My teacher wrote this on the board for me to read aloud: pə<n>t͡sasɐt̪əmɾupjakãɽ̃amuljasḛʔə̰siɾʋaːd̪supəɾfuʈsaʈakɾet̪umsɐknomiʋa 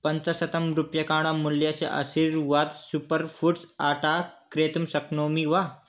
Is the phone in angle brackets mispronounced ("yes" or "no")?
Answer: no